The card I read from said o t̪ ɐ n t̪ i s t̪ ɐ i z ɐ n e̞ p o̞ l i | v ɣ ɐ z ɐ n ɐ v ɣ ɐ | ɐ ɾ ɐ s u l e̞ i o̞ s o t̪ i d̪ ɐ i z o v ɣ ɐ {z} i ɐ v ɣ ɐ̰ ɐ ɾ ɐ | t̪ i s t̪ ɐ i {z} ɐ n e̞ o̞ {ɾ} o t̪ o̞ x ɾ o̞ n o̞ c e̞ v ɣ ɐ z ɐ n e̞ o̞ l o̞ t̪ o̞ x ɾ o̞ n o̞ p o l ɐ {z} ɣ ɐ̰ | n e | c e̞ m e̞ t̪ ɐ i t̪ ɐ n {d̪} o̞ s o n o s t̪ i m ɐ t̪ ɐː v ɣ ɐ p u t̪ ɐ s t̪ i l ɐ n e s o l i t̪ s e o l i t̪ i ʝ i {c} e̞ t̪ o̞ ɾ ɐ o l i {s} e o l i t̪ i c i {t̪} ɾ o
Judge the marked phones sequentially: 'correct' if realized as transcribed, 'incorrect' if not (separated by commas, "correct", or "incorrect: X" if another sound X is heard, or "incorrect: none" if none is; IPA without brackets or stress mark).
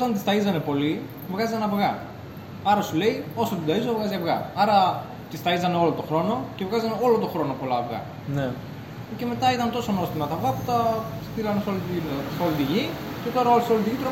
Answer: correct, correct, incorrect: l, incorrect: v, incorrect: t̪, correct, correct, correct